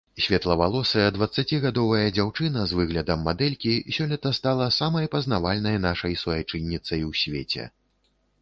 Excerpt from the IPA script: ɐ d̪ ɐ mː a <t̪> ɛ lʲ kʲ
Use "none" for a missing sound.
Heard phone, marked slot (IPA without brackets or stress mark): d̪